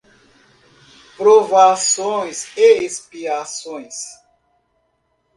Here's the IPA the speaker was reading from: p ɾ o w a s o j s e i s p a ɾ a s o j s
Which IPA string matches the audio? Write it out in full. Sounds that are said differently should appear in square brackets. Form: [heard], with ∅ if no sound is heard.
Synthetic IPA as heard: p ɾ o [v] a s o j s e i s p [i] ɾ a s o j s